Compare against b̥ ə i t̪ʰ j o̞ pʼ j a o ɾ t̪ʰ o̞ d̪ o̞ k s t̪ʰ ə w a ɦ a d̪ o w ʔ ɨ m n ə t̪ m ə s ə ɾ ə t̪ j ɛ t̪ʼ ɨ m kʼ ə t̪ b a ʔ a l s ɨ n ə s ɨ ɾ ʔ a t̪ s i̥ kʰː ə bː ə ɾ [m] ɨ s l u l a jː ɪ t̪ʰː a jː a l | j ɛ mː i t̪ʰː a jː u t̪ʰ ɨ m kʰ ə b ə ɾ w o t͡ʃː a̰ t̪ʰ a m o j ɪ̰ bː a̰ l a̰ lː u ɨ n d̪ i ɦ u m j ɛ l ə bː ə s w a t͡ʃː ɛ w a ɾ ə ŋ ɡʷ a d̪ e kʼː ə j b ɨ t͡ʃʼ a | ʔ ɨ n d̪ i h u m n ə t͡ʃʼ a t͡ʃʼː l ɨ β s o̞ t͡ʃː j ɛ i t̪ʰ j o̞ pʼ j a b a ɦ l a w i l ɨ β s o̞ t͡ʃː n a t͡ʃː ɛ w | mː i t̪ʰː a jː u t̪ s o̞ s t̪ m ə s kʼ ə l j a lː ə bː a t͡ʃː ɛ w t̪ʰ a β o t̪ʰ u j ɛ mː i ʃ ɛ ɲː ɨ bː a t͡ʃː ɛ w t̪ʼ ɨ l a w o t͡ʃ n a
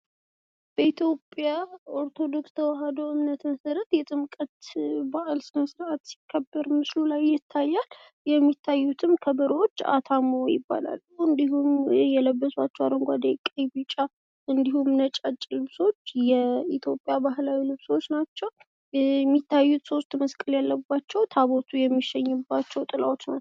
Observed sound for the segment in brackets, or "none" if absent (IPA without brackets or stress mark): m